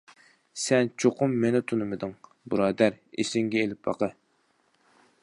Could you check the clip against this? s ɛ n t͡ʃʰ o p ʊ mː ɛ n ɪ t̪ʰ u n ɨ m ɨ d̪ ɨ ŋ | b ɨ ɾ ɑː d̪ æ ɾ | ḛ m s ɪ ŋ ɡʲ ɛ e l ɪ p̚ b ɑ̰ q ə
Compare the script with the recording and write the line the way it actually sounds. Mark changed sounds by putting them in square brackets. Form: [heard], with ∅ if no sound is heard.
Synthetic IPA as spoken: s ɛ n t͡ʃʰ o [q] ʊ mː [e] n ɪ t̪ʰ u n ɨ m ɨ d̪ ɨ ŋ | b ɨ ɾ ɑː d̪ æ ɾ | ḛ [∅] s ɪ ŋ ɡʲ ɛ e l ɪ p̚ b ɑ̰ q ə